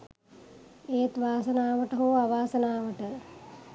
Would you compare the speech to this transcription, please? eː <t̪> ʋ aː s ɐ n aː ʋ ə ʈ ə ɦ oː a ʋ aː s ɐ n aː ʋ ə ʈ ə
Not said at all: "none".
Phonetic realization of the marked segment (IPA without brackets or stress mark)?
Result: t̪